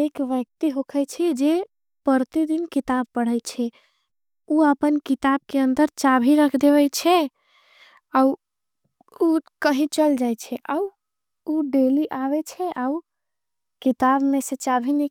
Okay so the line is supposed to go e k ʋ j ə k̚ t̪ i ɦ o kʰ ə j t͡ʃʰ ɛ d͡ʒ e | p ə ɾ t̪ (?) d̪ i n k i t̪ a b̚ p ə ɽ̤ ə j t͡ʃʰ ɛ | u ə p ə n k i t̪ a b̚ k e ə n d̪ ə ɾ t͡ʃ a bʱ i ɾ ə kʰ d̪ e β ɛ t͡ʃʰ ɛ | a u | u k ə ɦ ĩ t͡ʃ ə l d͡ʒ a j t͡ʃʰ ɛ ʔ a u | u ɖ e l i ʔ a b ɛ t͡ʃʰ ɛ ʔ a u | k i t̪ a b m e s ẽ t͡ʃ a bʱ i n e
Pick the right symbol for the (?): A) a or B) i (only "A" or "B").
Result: B